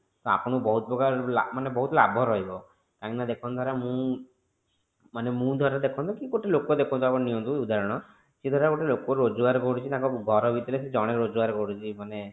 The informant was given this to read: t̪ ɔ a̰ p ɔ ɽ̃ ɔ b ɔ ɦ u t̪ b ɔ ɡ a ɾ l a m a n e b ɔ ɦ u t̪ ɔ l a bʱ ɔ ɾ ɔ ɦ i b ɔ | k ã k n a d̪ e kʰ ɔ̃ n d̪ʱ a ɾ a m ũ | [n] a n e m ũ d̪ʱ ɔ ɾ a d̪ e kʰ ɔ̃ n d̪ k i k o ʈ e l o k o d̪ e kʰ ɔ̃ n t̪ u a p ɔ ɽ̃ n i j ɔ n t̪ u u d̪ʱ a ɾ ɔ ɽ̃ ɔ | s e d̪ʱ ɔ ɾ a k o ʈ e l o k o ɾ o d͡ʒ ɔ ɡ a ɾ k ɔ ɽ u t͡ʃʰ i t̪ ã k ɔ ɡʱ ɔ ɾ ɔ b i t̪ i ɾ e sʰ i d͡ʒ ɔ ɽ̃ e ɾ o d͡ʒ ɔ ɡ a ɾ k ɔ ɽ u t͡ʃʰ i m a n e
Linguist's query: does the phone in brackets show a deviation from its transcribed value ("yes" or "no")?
yes